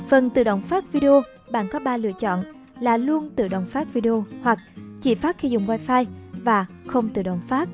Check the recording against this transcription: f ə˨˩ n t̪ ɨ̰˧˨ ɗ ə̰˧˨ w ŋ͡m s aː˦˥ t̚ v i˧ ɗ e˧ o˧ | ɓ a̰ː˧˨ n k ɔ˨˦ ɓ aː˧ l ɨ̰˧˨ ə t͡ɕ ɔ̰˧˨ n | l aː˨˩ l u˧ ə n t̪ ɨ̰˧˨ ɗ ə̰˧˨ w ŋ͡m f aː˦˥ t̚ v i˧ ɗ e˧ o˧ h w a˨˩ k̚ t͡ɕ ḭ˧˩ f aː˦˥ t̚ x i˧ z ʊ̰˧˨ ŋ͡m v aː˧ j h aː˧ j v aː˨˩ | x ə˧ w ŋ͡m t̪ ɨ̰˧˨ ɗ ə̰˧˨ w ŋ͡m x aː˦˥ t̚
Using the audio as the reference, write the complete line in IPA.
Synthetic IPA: f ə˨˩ n t̪ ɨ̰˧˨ ɗ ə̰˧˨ w ŋ͡m f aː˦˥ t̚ v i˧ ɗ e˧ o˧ | ɓ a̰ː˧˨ n k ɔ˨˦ ɓ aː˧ l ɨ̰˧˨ ə t͡ɕ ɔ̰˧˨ n | l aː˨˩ l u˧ ə n t̪ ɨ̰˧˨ ɗ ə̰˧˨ w ŋ͡m f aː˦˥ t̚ v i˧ ɗ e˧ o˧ h w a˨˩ k̚ t͡ɕ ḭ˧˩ f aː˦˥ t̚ x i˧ z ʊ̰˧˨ ŋ͡m v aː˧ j f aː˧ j v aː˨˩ | x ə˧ w ŋ͡m t̪ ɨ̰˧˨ ɗ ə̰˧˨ w ŋ͡m f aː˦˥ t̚